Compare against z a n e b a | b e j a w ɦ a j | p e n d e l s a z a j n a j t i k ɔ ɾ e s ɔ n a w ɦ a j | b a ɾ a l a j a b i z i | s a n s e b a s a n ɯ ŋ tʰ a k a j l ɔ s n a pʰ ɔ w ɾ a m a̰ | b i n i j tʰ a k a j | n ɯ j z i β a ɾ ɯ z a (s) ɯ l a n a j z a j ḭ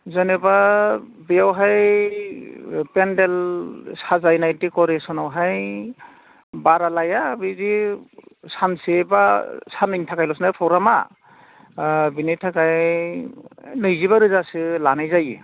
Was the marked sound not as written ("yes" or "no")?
no